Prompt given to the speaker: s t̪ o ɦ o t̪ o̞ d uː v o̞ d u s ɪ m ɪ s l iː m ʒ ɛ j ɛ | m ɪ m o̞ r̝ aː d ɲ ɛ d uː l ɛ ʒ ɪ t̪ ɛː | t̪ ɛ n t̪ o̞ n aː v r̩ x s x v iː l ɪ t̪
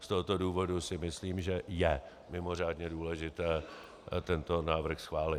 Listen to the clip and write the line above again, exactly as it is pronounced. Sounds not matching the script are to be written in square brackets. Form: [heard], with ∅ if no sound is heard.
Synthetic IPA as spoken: s t̪ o ɦ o t̪ o̞ d uː v o̞ d u s ɪ m ɪ s l iː m ʒ ɛ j ɛ | m ɪ m o̞ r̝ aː d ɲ ɛ d uː l ɛ ʒ ɪ t̪ ɛː | t̪ ɛ n t̪ o̞ n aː v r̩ x s x v [aː] l ɪ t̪